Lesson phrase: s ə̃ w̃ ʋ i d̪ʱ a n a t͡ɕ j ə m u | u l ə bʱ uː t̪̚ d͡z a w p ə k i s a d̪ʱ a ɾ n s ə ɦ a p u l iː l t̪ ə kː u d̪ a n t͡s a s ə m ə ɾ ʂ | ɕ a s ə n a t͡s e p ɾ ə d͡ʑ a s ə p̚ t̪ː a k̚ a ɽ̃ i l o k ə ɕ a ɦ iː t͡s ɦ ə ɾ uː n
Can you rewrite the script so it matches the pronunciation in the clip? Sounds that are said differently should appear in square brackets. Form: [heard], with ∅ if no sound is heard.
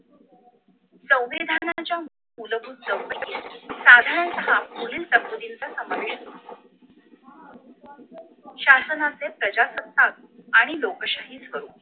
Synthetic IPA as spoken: s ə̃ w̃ ʋ i d̪ʱ a n a t͡ɕ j [a] m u | u l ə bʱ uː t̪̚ d͡z [ə] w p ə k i s a d̪ʱ a ɾ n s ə ɦ a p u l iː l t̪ ə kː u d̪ [i] n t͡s a s ə m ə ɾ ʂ | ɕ a s ə n a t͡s e p ɾ ə d͡ʑ a s ə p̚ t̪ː a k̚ a ɽ̃ i l o k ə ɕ a ɦ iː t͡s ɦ ə ɾ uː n